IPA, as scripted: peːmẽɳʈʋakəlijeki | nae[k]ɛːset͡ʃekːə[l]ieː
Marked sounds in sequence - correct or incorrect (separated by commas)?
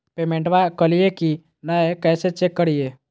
correct, incorrect